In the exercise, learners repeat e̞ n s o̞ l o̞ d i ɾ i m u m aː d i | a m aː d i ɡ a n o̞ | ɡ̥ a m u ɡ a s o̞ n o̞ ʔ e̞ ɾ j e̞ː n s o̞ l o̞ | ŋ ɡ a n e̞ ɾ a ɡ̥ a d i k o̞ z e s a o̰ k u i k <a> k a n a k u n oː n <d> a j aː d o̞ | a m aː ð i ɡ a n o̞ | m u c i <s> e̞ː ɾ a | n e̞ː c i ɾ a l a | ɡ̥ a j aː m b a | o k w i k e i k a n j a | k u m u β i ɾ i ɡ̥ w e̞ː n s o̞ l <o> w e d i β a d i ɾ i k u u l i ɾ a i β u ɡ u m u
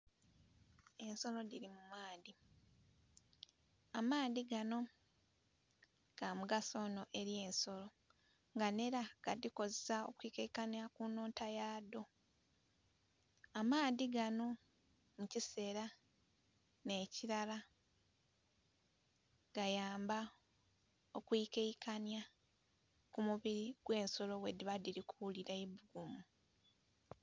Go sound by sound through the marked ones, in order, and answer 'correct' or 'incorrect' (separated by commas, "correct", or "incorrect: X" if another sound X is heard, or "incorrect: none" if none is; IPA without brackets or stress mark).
incorrect: e, incorrect: t, correct, correct